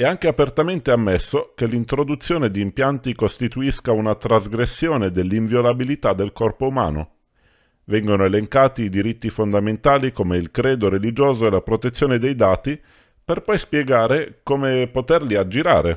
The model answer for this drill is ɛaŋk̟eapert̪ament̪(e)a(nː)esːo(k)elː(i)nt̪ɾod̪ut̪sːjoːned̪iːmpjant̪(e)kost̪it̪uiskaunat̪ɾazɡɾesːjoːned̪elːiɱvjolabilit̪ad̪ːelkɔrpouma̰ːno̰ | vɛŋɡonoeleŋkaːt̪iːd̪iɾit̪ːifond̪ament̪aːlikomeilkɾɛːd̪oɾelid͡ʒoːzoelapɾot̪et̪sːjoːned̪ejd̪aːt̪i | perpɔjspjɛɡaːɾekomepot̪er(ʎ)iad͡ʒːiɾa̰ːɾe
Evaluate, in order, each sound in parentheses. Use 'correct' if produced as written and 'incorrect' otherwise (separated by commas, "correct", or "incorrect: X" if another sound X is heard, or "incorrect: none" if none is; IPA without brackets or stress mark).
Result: correct, incorrect: mː, correct, correct, incorrect: i, incorrect: l